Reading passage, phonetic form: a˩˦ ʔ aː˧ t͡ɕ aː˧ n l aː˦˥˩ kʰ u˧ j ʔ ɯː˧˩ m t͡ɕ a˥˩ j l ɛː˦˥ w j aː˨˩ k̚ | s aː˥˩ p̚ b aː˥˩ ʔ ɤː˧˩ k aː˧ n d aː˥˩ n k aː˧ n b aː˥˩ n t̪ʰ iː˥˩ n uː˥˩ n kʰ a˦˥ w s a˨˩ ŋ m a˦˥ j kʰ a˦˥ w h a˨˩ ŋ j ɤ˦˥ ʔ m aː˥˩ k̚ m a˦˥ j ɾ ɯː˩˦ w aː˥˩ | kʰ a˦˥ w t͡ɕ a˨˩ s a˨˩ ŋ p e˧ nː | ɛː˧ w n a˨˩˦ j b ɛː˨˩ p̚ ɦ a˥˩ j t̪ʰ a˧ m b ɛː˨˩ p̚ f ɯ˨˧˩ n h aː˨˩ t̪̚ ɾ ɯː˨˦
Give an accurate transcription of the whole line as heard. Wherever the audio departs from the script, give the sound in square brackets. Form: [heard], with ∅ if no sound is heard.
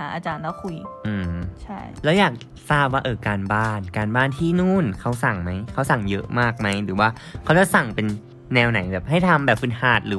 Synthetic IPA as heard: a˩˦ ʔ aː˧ t͡ɕ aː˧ n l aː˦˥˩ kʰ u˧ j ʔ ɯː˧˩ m [t͡ɕʰ] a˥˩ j l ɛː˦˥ w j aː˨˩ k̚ | s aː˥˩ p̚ [w] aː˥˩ ʔ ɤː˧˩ k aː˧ n [b] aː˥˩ n k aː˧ n b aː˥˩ n t̪ʰ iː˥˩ n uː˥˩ n kʰ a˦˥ w s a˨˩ ŋ m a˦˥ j kʰ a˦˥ w [s] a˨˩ ŋ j ɤ˦˥ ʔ m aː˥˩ k̚ m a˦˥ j ɾ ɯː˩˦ w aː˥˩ | kʰ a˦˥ w t͡ɕ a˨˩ s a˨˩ ŋ p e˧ nː | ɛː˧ w n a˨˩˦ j b ɛː˨˩ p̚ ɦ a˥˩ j t̪ʰ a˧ m b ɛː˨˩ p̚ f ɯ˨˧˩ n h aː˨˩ t̪̚ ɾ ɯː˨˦